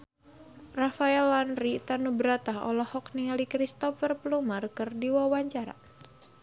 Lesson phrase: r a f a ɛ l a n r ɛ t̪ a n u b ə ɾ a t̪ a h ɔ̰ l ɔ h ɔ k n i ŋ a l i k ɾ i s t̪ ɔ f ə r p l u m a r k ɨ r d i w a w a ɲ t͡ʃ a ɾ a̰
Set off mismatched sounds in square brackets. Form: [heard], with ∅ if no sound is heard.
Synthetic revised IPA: r a f a ɛ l a n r [i] t̪ a n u b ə ɾ a t̪ a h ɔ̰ l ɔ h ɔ k n i ŋ a l i k ɾ i s t̪ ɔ f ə r p l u m a r k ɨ r d i w a w a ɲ t͡ʃ a ɾ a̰